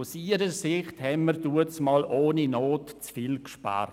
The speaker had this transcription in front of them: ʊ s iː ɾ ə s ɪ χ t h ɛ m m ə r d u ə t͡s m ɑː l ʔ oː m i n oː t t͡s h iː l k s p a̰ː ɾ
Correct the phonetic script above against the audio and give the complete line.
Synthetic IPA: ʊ s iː ɾ ə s ɪ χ t h ɛ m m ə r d u ə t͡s m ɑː l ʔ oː n i n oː t t͡s f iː l k ʃ p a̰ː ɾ